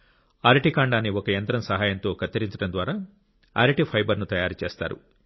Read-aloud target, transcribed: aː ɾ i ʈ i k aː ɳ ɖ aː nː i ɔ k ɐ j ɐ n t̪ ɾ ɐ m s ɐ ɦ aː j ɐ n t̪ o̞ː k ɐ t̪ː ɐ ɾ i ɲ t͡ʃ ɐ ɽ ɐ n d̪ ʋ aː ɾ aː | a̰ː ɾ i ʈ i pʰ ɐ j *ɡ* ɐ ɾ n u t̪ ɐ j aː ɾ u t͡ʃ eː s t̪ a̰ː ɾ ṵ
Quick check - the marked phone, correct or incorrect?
incorrect